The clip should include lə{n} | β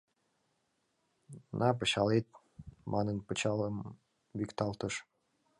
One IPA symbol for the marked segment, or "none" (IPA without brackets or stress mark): m